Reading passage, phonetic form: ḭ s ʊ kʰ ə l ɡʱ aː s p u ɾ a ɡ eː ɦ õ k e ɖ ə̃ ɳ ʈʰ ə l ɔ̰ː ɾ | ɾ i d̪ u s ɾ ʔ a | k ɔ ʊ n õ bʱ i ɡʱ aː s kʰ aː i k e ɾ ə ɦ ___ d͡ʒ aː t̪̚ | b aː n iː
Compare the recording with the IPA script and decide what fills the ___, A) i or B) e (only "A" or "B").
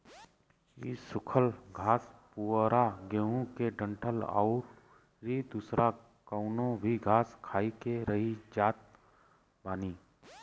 A